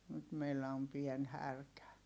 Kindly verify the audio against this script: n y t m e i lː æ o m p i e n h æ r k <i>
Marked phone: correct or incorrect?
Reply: incorrect